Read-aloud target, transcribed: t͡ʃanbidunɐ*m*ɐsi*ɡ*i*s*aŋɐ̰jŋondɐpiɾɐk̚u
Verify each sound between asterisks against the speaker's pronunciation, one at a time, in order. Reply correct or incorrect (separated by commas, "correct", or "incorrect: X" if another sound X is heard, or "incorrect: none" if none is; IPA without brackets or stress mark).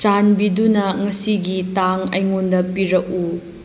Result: incorrect: ŋ, correct, incorrect: t